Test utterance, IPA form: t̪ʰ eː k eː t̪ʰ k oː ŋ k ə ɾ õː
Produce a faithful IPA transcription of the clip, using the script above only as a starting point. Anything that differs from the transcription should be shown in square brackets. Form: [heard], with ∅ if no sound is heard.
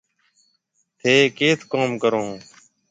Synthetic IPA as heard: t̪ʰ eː k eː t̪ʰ k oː [m] k ə ɾ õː